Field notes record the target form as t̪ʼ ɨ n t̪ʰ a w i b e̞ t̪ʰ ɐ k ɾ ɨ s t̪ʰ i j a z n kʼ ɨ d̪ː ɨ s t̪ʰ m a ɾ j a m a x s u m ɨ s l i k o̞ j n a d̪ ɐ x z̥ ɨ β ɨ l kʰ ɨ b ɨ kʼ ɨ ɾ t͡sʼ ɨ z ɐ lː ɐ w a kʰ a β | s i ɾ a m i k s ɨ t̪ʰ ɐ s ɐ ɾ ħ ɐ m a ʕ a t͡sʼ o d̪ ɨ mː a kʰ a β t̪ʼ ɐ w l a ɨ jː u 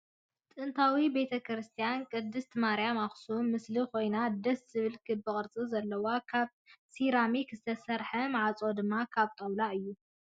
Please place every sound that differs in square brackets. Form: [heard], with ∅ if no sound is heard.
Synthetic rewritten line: t̪ʼ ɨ n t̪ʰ a w i b e̞ t̪ʰ ɐ k ɾ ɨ s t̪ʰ i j a [∅] n kʼ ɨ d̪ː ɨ s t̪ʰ m a ɾ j a m a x s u m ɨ s l i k o̞ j n a d̪ ɐ [s] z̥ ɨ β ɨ l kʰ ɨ b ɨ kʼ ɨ ɾ t͡sʼ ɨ z ɐ lː ɐ w a kʰ a β | s i ɾ a m i k [z] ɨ t̪ʰ ɐ s ɐ ɾ ħ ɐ m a ʕ a t͡sʼ o d̪ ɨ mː a kʰ a β t̪ʼ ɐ w l a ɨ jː u